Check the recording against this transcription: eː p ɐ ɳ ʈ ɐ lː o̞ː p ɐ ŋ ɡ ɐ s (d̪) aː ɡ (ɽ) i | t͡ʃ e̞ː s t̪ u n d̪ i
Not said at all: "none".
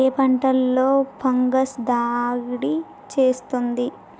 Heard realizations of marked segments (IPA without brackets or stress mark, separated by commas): d̪, ɽ